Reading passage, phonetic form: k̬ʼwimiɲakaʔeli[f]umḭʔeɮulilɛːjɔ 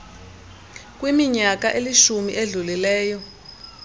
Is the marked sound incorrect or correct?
incorrect